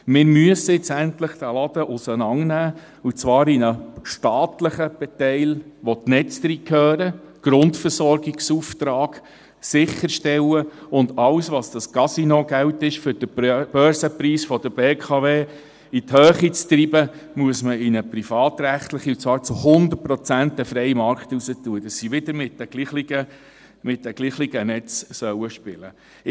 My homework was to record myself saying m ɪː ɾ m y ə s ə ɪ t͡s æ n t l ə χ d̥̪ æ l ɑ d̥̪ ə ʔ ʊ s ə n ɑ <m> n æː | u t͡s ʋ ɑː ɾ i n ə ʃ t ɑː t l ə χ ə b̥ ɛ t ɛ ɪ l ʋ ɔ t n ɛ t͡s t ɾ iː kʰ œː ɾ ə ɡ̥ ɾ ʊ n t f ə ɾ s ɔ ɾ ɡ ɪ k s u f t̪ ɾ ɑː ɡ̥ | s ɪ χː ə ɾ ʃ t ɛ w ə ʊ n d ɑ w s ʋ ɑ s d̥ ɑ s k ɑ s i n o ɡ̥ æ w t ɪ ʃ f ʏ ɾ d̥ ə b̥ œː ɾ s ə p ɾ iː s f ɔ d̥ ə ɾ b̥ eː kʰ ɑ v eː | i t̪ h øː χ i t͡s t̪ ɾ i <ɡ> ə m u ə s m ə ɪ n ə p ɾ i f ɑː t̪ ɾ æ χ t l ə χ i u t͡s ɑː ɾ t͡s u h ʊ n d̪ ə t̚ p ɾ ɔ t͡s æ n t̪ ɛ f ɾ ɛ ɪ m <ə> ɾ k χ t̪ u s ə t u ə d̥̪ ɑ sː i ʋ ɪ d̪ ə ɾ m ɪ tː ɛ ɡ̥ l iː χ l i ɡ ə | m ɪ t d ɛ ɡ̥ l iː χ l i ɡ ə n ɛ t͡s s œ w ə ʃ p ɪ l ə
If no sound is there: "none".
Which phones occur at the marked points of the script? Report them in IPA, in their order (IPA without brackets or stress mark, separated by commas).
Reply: ŋ, b, ɑ